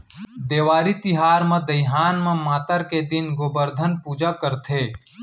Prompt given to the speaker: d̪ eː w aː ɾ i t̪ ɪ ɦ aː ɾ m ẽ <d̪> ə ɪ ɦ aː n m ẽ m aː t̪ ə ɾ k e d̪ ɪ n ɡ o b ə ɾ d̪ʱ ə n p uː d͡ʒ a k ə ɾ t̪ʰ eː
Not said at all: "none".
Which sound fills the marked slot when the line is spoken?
d̪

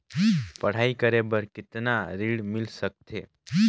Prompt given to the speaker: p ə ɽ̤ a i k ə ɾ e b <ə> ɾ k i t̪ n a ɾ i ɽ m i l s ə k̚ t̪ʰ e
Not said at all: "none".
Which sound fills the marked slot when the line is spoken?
ə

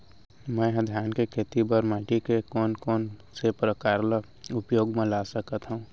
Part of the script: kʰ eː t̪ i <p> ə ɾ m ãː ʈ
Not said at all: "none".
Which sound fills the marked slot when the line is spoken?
b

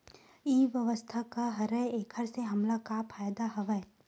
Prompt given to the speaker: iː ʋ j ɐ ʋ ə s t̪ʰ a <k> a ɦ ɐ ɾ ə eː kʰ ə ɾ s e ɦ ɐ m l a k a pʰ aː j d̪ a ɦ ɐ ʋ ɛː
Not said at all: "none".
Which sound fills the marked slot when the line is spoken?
k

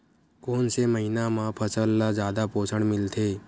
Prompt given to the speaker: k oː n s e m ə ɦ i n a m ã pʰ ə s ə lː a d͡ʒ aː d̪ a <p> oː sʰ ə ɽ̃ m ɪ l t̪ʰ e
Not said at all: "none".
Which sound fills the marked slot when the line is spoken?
p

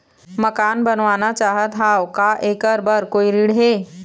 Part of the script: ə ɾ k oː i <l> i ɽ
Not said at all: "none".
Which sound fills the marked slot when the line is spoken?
ɾ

